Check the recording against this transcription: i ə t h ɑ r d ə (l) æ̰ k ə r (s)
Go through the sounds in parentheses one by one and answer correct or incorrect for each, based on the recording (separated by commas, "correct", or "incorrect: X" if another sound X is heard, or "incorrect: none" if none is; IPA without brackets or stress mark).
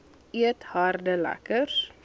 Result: correct, correct